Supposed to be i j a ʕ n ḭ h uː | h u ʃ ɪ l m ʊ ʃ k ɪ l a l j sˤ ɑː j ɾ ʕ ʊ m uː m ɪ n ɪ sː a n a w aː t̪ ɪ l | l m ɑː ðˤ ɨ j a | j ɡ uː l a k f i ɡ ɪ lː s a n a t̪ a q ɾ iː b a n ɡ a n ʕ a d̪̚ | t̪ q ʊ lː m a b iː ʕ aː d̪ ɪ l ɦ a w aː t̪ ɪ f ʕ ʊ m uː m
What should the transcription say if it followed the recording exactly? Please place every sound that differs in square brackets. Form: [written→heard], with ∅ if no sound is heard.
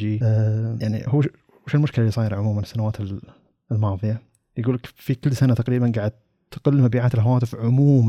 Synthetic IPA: i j a ʕ n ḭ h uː | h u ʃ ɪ l m ʊ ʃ k ɪ l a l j sˤ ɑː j ɾ ʕ ʊ m uː m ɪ n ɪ sː a n a w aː t̪ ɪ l | l m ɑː ðˤ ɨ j a | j ɡ uː l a k f i [ɡ→k] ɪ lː s a n a t̪ a q ɾ iː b a n ɡ a [n→∅] ʕ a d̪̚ | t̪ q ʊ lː m a b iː ʕ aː [d̪→t̪] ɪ l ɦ a w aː t̪ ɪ f ʕ ʊ m uː m